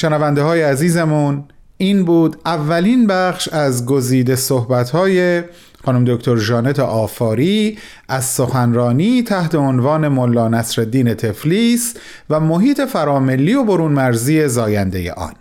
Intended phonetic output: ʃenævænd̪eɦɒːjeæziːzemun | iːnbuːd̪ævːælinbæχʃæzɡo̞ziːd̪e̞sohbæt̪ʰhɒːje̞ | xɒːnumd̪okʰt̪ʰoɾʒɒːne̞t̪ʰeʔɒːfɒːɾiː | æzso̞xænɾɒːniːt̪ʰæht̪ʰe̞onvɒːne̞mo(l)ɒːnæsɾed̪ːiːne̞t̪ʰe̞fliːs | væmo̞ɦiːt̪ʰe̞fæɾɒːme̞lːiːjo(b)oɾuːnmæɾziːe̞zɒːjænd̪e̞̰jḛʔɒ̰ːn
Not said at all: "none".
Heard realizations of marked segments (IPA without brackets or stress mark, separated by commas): lː, b